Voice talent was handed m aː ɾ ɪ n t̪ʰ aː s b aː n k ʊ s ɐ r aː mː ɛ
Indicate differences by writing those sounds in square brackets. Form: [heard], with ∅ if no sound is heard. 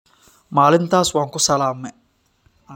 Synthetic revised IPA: m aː [l] ɪ n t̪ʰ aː s [w] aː [ŋ] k ʊ s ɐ [l] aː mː ɛ